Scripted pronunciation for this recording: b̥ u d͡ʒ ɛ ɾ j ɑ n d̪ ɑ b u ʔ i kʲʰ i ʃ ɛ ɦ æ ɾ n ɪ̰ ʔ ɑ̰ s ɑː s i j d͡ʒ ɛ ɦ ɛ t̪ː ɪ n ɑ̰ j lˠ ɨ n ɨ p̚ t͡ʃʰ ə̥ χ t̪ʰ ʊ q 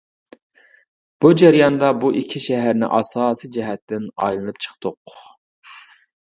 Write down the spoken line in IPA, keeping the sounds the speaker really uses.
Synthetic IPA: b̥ u d͡ʒ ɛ ɾ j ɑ n d̪ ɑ b u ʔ i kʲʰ i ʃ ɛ ɦ æ ɾ n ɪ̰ ʔ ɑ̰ s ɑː s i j d͡ʒ ɛ ɦ ɛ t̪ː ɪ n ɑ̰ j lˠ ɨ n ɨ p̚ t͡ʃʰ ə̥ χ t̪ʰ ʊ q